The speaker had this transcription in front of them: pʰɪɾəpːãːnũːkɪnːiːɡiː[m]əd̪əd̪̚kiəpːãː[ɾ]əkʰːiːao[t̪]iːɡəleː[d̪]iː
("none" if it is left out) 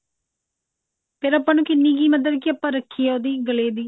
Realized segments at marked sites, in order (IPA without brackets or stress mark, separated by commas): m, ɾ, d̪, d̪